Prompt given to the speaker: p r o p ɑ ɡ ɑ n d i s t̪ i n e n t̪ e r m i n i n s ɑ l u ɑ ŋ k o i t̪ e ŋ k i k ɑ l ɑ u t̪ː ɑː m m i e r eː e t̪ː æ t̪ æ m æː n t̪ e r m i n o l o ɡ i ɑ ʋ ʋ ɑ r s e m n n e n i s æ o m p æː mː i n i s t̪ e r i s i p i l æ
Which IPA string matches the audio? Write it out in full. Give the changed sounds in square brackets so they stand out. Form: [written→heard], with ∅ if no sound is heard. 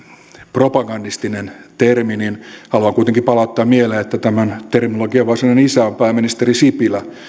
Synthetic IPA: p r o p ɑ ɡ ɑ n d i s t̪ i n e n t̪ e r m i n i n [s→h] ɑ l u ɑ ŋ k [o→u] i t̪ e ŋ k i [k→p] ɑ l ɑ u t̪ː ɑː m m i e [r→l] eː e t̪ː æ t̪ æ m [æː→æ] n t̪ e r m i n o l o ɡ i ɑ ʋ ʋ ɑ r s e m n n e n i s æ o m p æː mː i n i s t̪ e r i s i p i l æ

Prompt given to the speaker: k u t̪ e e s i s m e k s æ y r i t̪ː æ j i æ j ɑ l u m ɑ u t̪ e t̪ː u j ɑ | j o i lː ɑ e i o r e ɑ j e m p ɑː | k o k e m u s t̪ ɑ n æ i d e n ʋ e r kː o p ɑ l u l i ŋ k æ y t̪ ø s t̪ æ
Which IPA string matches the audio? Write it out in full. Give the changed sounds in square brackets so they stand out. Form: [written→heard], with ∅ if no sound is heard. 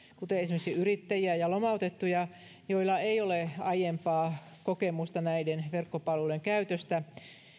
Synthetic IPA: k u t̪ e e s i [s→∅] m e k s [æ→i] y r i t̪ː æ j i æ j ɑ l [u→o] m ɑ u t̪ e t̪ː u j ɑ | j o i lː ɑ e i o [r→l] e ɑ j e m p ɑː | k o k e m u s t̪ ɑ n æ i d e n ʋ e r kː o p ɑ l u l [i→e] ŋ k æ y t̪ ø s t̪ æ

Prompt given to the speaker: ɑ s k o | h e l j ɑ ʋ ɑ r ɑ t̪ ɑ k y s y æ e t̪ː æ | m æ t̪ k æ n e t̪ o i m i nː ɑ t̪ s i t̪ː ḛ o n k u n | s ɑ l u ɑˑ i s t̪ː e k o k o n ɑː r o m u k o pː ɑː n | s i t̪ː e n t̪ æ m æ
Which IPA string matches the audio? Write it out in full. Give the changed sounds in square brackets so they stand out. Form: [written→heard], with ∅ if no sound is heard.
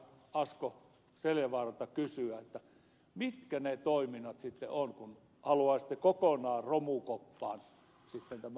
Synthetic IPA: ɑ s k o | [h→s] e l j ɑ ʋ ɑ r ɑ t̪ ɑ k y s y æ e t̪ː æ | m [æ→i] t̪ k æ n e t̪ o i m i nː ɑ t̪ s i t̪ː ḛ o n k u n | [s→h] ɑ l u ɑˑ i s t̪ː e k o k o n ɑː r o m u k o pː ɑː n | s i t̪ː e n t̪ æ m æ

